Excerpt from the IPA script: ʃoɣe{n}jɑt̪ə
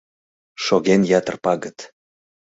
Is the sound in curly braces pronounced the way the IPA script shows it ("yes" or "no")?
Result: yes